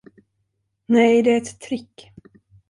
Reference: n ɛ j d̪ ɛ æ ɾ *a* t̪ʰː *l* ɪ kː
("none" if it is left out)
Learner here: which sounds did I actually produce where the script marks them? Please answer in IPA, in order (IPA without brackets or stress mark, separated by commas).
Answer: ɛ, ɾ